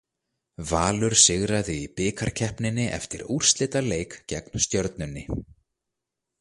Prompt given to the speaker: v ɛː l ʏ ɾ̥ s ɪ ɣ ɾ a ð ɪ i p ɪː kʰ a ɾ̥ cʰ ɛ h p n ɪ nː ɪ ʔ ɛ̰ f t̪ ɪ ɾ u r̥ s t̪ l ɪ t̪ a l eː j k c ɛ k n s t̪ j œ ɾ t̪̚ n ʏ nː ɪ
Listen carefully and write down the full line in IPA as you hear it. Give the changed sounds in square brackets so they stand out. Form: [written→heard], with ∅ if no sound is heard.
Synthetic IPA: v [ɛː→aː] l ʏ ɾ̥ s ɪ ɣ ɾ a ð ɪ i p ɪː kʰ a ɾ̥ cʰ ɛ h p n ɪ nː ɪ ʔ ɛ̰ f t̪ ɪ ɾ u r̥ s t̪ l ɪ t̪ a l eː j k c ɛ k n s t̪ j œ ɾ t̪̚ n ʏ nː ɪ